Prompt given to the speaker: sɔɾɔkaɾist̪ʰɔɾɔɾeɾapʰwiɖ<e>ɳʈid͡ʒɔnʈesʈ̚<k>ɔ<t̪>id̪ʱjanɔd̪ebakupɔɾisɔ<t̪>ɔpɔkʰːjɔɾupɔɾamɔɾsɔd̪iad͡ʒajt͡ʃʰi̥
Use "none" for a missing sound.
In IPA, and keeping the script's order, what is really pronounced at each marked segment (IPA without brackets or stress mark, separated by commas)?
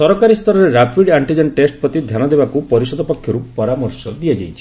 a, p, t̪, d̪